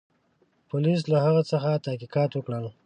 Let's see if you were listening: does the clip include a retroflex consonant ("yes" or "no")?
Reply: yes